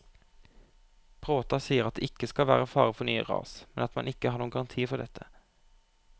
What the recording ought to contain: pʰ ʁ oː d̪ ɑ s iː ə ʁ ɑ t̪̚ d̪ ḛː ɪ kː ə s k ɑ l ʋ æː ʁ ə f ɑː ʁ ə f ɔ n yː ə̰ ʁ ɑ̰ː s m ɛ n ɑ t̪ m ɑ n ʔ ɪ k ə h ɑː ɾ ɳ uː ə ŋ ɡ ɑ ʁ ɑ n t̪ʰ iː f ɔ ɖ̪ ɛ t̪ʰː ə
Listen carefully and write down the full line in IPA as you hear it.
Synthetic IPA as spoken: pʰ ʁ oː t̪ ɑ s iː ə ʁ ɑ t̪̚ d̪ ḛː ɪ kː ə s k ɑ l ʋ æː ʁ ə f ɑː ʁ ə f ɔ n yː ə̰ ʁ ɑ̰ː s m ɛ n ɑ t̪ m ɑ n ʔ ɪ k ə h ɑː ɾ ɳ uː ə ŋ ɡ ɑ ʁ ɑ n t̪ʰ iː f ɔ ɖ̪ ɛ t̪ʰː ə